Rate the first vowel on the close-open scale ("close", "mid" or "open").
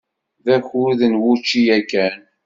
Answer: open